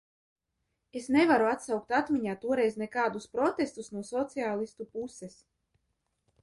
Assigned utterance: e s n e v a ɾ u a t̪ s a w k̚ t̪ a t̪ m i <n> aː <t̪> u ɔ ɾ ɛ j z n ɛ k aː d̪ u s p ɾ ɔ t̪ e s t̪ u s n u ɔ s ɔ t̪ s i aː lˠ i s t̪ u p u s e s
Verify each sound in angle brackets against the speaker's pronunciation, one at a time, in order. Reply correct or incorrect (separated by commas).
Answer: incorrect, correct